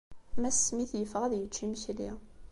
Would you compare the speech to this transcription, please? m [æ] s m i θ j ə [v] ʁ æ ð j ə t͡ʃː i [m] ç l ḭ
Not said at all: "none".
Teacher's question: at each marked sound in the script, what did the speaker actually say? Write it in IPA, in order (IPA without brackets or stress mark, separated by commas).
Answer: æ, f, m